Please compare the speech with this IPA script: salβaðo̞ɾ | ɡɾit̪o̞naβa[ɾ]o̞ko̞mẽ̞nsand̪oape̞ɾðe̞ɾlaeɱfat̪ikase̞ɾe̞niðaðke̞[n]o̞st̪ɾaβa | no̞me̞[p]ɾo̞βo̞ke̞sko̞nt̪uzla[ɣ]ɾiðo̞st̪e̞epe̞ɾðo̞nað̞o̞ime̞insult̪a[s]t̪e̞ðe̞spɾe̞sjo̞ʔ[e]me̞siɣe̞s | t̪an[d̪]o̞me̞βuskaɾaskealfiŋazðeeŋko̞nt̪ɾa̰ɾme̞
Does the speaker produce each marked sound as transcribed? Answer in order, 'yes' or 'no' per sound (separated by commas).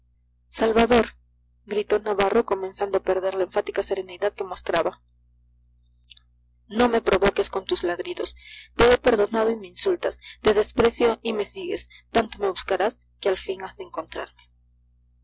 no, no, yes, no, yes, no, no